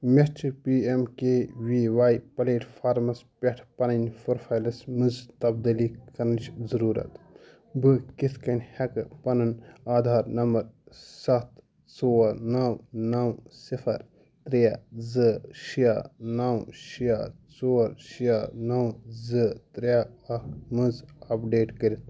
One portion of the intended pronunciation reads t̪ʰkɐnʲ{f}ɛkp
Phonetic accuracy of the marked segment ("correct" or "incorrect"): incorrect